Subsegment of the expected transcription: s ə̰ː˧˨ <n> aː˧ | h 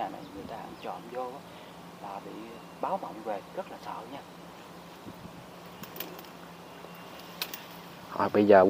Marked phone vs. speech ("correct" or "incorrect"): incorrect